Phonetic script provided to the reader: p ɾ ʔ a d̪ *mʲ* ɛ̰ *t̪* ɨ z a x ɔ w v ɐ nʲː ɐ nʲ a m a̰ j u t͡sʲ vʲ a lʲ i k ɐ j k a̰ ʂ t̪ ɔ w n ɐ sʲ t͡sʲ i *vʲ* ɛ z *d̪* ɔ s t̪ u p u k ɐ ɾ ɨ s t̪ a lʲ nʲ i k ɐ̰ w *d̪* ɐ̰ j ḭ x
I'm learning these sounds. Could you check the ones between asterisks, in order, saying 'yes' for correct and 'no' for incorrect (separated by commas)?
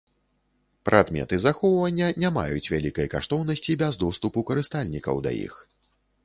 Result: yes, yes, no, yes, yes